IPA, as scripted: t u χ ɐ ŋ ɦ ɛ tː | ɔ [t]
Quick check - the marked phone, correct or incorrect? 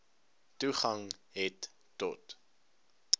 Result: correct